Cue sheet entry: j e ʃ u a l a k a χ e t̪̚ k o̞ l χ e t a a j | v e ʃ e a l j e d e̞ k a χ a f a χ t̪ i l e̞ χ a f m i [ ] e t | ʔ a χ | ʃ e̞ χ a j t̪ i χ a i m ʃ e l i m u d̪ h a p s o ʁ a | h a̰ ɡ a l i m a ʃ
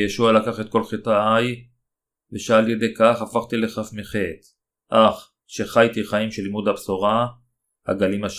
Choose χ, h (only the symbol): χ